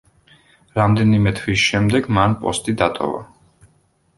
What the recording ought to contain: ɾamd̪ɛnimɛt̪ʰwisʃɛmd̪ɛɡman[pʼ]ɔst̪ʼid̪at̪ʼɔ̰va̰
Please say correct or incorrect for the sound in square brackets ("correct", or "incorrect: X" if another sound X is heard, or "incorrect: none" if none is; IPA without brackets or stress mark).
correct